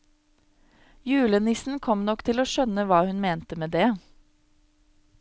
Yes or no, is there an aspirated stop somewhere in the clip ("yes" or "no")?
yes